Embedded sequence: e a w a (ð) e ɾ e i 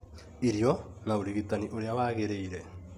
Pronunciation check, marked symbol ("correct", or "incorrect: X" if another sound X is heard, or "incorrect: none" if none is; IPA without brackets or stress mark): incorrect: ɣ